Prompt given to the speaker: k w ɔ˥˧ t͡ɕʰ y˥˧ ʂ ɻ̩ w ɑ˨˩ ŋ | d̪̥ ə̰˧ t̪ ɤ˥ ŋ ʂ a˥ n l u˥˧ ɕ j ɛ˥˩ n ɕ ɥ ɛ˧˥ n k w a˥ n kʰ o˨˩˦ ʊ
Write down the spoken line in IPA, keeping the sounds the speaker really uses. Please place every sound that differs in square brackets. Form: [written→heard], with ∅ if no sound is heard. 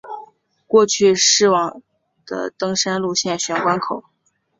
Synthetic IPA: k w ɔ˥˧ t͡ɕʰ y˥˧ ʂ ɻ̩ w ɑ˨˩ ŋ | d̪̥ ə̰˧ t̪ ɤ˥ ŋ ʂ a˥ n l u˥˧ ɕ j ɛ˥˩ n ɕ ɥ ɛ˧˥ n k w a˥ n kʰ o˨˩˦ ʊ